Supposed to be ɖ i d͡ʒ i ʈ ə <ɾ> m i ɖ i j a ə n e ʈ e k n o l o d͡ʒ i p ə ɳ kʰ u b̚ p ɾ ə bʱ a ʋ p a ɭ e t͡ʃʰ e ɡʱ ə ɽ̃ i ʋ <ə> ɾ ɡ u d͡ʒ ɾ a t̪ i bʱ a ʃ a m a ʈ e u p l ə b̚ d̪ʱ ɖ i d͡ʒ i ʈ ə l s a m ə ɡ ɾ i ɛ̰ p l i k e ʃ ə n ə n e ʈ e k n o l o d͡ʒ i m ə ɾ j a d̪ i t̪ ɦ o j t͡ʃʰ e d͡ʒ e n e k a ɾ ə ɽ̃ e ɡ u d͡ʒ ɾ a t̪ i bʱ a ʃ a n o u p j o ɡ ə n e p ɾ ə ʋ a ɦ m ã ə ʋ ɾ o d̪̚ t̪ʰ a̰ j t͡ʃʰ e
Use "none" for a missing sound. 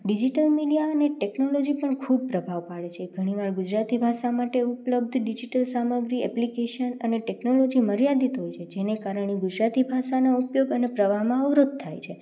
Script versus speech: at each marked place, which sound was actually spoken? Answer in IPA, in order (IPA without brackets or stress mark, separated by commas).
l, a